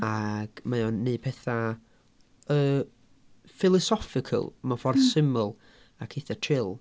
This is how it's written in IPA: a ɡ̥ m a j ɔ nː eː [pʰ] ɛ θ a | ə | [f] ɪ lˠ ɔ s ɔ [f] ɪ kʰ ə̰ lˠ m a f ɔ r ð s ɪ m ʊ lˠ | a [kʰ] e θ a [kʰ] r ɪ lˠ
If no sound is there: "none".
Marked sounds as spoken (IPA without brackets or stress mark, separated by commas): pʰ, f, f, kʰ, tʰ